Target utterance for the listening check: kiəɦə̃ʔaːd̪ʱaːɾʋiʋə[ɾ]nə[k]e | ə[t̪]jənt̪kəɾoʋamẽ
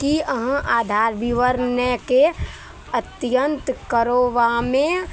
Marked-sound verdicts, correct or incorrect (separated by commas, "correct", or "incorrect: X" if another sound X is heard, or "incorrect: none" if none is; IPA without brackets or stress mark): correct, correct, correct